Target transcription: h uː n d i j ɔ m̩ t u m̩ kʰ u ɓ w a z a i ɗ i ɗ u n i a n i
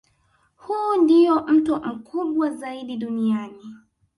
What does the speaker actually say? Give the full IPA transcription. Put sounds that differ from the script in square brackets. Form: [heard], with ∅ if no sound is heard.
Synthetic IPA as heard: h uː n d i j ɔ m̩ t u m̩ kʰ u ɓ w a z a i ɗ i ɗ u n i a n i